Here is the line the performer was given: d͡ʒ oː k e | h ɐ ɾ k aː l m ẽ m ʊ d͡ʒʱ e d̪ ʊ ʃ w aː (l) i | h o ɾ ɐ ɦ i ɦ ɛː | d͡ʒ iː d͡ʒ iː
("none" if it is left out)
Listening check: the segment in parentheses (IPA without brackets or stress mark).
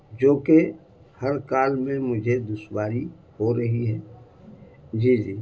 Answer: ɾ